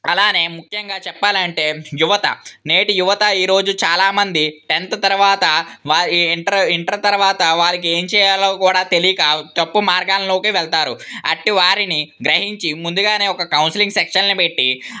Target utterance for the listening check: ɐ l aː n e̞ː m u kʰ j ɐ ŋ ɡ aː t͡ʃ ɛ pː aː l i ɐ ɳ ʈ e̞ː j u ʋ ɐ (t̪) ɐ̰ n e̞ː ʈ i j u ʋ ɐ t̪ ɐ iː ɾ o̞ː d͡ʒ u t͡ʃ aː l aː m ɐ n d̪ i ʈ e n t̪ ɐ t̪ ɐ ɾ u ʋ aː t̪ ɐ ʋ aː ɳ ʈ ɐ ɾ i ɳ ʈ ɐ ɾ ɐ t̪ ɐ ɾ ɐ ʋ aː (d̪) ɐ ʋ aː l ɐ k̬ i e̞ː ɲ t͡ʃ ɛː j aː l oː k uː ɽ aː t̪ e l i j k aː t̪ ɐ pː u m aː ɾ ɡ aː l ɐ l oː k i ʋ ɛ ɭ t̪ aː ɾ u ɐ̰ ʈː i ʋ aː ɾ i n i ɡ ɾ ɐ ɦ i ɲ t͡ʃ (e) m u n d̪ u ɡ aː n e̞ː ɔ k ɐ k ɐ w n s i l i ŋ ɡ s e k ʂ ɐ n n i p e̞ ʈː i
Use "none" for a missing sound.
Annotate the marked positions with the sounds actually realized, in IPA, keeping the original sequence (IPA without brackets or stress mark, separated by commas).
t̪, t̪, i